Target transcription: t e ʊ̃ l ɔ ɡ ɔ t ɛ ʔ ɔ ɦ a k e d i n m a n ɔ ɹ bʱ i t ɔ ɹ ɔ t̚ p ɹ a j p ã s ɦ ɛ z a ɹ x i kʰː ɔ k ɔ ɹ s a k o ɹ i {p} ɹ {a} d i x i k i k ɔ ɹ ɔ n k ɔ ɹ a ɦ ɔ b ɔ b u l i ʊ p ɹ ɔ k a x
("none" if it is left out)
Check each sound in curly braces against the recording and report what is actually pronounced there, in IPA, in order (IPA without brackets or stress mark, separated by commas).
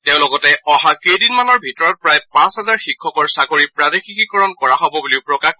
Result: p, a